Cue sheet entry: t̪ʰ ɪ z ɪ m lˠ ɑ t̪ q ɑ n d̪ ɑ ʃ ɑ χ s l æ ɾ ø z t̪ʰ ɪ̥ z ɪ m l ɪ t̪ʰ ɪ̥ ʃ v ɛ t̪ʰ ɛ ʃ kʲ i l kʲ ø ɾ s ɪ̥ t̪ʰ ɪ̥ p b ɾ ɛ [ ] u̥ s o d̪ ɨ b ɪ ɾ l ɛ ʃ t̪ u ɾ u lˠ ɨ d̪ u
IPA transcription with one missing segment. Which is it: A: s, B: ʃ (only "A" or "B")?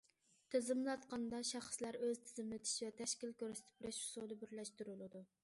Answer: B